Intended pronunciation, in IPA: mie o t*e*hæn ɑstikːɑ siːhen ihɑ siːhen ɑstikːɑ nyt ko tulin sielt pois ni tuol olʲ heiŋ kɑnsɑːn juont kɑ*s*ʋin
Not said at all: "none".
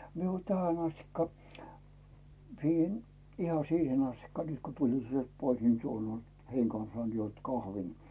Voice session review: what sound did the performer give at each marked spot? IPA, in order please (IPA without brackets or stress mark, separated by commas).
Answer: æ, h